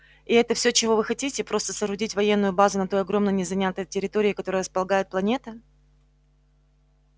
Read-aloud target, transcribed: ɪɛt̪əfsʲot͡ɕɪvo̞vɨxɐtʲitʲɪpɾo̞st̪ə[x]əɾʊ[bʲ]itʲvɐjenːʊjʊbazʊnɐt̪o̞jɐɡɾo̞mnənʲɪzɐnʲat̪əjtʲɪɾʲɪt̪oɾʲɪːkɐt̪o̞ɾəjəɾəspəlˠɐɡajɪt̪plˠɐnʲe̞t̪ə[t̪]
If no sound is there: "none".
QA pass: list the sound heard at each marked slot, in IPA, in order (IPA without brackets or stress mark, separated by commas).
s, dʲ, none